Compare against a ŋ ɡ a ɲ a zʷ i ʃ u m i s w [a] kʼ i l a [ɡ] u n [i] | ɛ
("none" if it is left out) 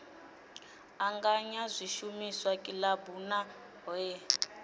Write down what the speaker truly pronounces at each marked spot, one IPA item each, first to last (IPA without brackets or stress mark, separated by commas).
a, b, a